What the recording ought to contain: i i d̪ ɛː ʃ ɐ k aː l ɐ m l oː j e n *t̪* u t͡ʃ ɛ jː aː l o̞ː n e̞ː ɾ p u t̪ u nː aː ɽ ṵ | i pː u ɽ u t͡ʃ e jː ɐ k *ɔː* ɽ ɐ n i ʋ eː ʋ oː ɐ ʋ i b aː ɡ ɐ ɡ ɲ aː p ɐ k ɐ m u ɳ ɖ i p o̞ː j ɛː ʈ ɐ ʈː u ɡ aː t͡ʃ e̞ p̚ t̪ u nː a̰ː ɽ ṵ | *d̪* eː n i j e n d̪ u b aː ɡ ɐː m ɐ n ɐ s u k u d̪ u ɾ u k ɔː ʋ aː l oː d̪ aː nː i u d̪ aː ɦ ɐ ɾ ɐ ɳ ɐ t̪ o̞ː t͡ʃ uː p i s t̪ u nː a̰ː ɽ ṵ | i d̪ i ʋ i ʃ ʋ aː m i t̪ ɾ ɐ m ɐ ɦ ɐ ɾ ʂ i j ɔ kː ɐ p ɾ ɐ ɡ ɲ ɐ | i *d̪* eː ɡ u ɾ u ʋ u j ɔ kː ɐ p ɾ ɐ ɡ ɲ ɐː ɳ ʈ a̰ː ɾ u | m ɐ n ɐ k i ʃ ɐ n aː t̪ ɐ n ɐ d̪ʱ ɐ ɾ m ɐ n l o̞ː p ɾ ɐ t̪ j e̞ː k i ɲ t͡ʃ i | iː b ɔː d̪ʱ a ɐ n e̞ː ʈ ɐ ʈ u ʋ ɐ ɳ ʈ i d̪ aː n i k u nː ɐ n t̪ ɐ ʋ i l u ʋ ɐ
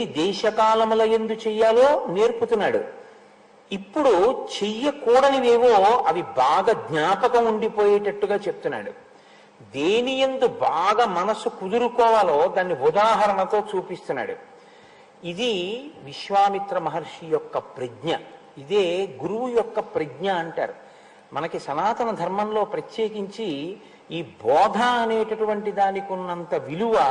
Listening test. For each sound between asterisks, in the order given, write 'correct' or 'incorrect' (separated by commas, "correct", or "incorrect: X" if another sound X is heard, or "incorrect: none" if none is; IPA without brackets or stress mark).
incorrect: d̪, incorrect: uː, correct, correct